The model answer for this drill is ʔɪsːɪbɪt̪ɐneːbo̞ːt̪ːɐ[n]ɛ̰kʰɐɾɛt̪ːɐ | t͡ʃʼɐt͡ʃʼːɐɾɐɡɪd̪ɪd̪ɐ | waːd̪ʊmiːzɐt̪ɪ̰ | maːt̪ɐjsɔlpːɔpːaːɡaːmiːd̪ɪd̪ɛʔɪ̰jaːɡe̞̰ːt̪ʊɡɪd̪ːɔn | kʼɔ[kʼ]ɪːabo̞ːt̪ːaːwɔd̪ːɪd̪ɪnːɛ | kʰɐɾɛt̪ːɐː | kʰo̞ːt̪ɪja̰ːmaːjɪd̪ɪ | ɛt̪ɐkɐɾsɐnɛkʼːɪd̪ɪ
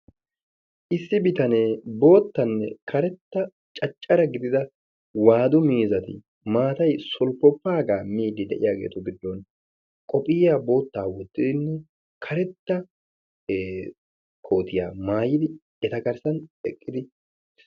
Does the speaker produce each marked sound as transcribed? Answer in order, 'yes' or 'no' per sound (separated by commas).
no, no